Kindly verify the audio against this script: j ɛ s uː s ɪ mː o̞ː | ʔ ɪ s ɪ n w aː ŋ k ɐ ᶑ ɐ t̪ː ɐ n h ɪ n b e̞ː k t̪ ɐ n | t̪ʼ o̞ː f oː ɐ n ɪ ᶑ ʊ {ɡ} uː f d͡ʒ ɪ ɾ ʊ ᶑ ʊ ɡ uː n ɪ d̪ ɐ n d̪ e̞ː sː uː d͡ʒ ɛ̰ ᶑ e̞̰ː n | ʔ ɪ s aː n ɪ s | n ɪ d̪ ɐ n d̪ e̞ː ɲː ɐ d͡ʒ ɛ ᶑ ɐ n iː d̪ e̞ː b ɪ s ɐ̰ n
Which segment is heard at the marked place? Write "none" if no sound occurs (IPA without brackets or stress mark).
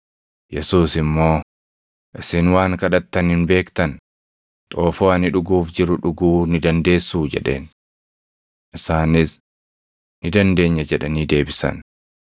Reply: ɡ